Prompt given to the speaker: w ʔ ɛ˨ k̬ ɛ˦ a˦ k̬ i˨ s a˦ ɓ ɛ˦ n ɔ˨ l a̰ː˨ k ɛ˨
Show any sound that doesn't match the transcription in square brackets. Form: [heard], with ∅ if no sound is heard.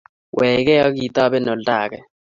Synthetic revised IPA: w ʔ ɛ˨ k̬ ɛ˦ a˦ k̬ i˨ [t] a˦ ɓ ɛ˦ n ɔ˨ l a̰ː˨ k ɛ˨